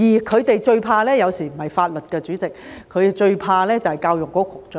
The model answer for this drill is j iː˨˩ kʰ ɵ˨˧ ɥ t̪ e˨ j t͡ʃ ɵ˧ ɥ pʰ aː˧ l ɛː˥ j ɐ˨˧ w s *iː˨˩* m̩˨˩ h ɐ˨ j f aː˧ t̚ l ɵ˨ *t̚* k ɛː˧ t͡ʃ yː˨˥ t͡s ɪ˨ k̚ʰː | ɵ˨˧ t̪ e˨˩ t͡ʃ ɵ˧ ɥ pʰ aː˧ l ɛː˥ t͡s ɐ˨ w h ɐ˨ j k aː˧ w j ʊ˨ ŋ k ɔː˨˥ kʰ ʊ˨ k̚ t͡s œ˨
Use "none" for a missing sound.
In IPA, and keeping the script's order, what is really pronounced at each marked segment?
iː˨˩, t̚

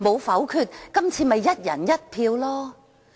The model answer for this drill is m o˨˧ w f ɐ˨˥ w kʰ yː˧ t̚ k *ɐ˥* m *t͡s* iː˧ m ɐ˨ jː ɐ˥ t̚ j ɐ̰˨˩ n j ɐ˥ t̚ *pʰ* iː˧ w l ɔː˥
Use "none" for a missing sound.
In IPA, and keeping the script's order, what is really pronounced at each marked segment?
ɐ˥, t͡sʰ, pʰ

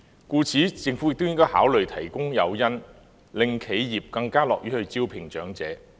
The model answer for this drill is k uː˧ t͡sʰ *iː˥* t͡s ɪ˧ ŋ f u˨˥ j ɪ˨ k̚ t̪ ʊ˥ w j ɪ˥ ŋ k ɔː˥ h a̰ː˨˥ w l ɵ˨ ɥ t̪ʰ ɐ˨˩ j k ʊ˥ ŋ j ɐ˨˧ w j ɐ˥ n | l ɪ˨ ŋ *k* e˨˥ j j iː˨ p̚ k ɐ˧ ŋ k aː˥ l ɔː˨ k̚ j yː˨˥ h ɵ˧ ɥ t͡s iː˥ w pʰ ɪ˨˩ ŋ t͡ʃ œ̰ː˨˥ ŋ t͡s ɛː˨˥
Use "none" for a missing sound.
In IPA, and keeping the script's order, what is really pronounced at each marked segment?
iː˨˥, kʰ

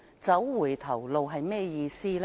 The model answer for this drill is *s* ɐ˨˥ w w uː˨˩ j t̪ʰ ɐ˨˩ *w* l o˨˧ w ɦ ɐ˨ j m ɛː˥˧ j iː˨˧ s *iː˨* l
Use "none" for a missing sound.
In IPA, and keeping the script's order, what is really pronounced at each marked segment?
t͡s, w, iː˥

